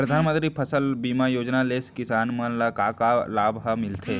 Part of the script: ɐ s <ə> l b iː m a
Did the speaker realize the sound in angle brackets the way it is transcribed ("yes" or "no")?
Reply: yes